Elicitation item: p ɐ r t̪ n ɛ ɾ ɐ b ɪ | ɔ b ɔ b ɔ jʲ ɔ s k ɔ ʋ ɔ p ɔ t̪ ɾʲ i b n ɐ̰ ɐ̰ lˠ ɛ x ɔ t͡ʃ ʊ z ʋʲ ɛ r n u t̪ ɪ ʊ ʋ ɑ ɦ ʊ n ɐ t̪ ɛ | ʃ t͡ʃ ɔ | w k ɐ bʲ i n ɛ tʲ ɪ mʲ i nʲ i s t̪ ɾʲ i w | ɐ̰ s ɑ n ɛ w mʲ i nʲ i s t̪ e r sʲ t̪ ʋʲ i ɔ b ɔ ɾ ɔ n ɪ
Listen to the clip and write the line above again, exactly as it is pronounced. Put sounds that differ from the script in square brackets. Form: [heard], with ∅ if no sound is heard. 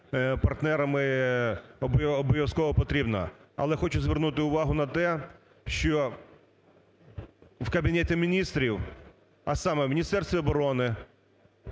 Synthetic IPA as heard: p ɐ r t̪ n ɛ ɾ ɐ [m] ɪ | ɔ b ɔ b ɔ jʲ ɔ s k ɔ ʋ ɔ p ɔ t̪ ɾʲ i b n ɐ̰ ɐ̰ lˠ ɛ x ɔ t͡ʃ ʊ z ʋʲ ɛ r n u t̪ ɪ ʊ ʋ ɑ ɦ ʊ n ɐ t̪ ɛ | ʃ t͡ʃ ɔ | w k ɐ bʲ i n ɛ tʲ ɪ mʲ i nʲ i s t̪ ɾʲ i w | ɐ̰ s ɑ [m] ɛ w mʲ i nʲ i s t̪ [ɛ] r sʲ t̪ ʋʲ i ɔ b ɔ ɾ ɔ n ɪ